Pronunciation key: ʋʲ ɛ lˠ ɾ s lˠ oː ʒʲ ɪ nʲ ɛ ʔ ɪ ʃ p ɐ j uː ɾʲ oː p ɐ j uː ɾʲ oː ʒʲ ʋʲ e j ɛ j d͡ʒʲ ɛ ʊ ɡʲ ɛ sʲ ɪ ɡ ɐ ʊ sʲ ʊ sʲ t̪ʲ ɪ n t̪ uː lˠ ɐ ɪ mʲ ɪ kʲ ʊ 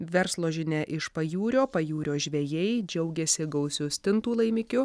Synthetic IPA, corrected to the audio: ʋʲ ɛ ɾ s lˠ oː ʒʲ ɪ nʲ ɛ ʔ ɪ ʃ p ɐ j uː ɾʲ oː p ɐ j uː ɾʲ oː ʒʲ ʋʲ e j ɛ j d͡ʒʲ ɛ ʊ ɡʲ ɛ sʲ ɪ ɡ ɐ ʊ sʲ ʊ sʲ t̪ʲ ɪ n t̪ uː lˠ ɐ ɪ mʲ ɪ kʲ ʊ